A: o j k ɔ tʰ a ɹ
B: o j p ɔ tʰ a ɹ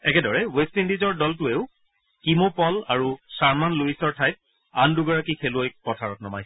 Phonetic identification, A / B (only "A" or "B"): B